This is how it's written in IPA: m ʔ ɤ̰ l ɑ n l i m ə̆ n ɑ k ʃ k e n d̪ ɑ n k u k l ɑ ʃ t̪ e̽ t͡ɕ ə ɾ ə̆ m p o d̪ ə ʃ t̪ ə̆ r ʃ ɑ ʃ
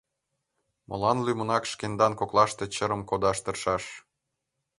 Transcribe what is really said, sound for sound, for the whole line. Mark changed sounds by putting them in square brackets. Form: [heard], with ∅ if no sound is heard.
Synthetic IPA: m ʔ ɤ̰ l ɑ n l [y] m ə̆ n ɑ k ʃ k e n d̪ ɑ n k [o] k l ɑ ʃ t̪ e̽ t͡ɕ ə ɾ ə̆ m [k] o d̪ [ɑ] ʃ t̪ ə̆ r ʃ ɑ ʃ